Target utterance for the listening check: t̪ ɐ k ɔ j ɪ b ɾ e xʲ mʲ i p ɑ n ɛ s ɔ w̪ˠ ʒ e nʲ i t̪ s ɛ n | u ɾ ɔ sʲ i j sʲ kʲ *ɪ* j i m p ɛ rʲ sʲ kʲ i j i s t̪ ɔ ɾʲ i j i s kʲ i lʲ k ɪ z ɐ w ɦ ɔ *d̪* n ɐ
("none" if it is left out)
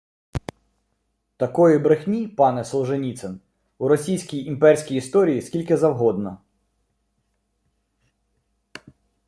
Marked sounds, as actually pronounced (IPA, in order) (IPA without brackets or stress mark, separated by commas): i, d̪